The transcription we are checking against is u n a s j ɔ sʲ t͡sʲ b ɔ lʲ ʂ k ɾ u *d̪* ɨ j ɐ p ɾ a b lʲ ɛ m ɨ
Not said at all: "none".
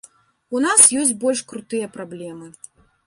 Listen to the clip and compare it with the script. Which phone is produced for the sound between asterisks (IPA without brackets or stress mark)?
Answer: t̪